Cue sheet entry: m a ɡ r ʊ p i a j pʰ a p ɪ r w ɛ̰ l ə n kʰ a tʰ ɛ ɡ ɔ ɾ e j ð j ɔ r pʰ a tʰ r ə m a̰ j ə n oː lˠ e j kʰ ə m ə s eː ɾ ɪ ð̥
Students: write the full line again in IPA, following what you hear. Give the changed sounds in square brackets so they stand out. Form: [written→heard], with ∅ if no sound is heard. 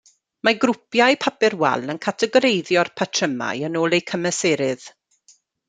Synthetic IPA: m a ɡ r ʊ p [i→j] a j pʰ a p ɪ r w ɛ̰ l ə n kʰ a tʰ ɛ ɡ ɔ ɾ e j ð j ɔ r pʰ a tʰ r ə m a̰ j ə n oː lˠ e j kʰ ə m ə s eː ɾ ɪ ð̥